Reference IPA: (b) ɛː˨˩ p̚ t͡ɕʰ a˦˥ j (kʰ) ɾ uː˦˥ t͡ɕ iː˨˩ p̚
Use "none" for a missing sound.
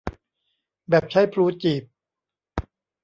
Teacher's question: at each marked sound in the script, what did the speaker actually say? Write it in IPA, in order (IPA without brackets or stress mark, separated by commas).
b, pʰ